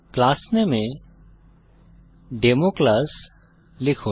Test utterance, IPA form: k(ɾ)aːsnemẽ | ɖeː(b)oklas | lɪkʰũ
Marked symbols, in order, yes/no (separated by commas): no, no